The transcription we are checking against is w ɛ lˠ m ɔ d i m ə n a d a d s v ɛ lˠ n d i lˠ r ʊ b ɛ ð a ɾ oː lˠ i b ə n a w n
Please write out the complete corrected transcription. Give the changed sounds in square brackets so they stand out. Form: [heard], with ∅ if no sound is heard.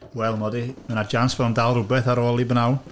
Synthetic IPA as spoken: w ɛ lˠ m ɔ d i m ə n a [d͡ʒ] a [n] s v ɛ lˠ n d [a] lˠ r ʊ b ɛ [θ] a ɾ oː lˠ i b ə n a w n